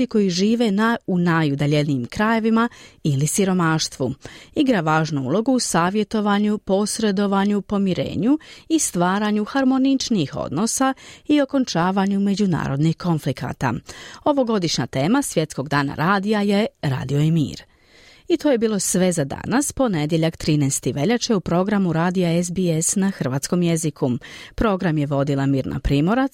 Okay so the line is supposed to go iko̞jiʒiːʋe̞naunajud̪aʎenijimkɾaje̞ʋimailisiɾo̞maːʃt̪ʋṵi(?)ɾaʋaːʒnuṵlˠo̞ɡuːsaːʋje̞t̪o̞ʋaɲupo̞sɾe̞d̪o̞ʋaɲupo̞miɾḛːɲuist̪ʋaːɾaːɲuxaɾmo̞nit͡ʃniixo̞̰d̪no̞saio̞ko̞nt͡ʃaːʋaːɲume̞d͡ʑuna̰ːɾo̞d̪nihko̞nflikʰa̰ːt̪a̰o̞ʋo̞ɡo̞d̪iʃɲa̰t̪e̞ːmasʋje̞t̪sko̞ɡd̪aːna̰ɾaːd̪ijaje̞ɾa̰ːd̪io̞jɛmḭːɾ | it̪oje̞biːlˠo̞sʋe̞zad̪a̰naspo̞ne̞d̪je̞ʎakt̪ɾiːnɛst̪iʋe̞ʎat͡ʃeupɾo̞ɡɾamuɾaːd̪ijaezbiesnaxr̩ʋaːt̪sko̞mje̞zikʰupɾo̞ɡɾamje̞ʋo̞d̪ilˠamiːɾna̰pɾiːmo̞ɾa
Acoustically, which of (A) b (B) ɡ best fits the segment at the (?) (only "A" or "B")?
B